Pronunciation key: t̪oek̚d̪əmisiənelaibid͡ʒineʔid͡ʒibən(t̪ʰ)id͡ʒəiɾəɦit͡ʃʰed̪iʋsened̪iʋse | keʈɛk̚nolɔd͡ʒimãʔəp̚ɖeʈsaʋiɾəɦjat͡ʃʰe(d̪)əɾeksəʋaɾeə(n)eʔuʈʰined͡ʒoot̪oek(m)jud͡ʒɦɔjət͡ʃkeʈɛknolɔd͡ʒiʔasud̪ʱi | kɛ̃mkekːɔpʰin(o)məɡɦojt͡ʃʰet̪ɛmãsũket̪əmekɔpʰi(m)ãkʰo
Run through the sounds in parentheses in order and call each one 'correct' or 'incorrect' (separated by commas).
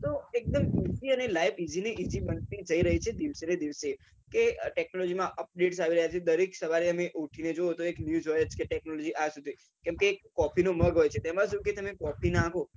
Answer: incorrect, correct, incorrect, incorrect, correct, incorrect